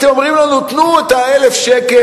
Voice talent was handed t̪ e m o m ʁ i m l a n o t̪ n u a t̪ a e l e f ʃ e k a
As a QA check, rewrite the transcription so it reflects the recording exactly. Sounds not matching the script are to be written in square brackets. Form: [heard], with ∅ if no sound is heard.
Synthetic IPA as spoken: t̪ e m o m ʁ i m l a n [u] t̪ n u [e] t̪ a e l e f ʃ e k [e]